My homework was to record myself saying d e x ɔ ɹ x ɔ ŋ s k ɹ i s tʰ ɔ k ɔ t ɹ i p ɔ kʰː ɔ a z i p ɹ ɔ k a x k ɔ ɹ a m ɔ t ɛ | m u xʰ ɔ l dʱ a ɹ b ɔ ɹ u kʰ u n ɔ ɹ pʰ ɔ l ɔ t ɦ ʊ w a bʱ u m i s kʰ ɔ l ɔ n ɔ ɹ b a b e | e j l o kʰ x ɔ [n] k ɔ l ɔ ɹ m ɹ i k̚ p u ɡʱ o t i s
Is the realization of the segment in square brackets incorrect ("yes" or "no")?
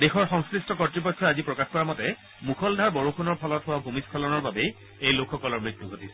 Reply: yes